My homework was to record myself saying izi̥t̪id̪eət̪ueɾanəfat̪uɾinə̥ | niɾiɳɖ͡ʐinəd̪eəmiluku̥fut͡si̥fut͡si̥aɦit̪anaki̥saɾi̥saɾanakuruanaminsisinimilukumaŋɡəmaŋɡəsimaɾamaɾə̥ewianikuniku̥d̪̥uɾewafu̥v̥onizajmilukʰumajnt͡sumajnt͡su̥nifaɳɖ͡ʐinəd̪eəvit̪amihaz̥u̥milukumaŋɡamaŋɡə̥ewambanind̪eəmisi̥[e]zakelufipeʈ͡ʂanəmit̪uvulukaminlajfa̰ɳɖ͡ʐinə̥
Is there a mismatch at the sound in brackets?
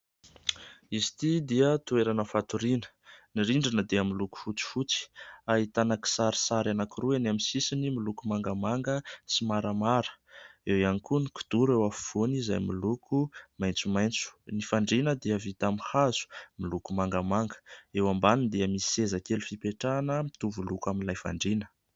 no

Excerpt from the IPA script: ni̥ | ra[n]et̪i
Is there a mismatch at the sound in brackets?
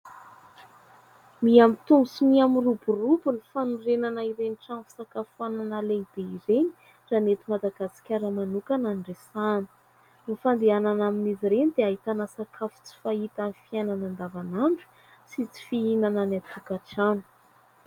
no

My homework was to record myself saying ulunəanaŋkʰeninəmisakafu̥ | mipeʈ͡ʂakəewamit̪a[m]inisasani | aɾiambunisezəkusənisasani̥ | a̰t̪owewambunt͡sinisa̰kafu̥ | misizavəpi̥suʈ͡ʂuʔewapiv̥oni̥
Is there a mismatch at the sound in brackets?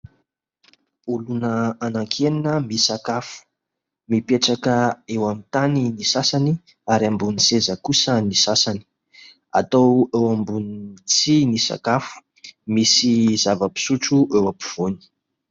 yes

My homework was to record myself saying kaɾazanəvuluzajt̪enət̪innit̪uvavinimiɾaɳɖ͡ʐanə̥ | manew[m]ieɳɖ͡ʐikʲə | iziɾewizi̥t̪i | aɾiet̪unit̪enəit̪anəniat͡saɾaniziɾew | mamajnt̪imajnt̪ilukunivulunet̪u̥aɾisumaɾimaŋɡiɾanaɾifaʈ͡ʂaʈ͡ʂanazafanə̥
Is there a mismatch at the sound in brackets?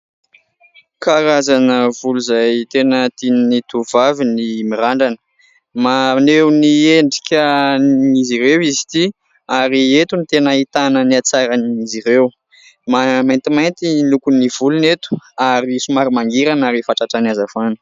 yes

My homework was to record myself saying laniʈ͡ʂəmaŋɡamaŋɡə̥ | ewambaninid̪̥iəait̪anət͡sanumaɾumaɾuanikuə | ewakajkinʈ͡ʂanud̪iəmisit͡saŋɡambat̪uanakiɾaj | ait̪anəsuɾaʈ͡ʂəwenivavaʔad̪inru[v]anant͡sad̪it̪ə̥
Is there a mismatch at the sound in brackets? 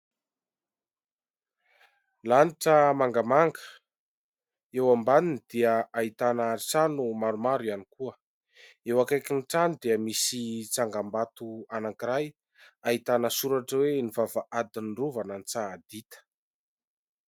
no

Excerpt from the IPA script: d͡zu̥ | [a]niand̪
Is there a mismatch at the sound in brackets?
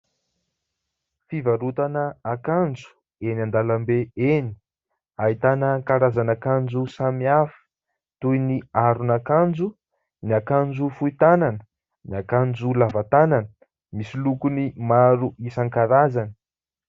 yes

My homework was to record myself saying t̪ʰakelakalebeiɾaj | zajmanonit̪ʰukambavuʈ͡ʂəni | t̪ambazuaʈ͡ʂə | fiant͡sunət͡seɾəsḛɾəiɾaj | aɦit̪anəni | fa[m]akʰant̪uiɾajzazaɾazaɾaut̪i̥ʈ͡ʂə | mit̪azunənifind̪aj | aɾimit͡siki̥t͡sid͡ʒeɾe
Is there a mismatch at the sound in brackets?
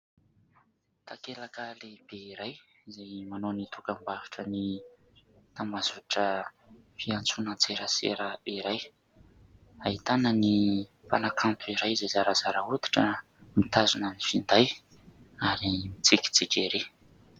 yes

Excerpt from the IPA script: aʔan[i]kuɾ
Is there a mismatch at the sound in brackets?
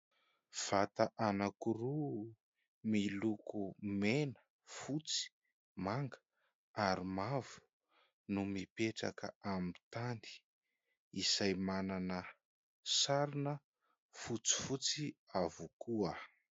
yes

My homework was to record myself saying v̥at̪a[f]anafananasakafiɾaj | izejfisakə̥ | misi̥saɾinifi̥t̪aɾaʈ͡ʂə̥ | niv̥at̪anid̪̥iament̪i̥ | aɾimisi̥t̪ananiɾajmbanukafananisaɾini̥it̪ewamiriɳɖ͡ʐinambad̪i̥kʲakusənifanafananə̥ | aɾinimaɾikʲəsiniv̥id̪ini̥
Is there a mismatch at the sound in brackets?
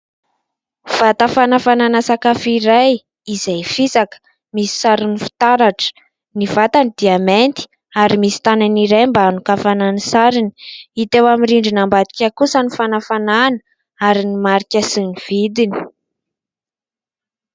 no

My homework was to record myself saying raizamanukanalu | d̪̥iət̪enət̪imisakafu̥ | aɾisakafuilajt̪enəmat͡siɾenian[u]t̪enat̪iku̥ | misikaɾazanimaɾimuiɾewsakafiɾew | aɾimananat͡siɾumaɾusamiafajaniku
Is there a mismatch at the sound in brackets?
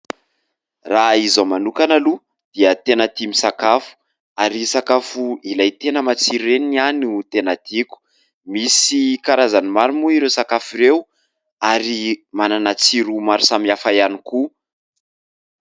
no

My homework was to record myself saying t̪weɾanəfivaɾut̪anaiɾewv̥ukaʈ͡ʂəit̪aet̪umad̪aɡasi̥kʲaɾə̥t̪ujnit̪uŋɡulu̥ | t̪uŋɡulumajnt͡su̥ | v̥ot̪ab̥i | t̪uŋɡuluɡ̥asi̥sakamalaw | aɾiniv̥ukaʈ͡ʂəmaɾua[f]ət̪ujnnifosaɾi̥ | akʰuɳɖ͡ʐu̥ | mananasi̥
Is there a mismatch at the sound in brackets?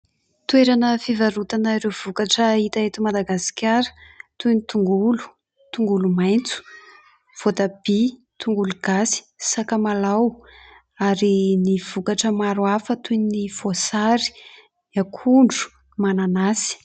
no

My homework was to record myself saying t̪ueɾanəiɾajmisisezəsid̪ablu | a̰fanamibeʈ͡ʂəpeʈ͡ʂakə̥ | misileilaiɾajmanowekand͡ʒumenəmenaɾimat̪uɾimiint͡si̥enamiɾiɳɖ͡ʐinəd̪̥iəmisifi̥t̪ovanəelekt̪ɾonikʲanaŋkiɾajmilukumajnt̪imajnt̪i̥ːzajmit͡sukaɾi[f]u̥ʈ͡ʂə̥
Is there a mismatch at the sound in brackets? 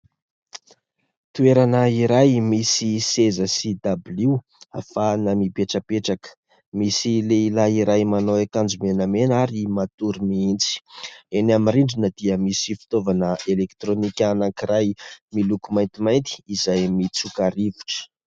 yes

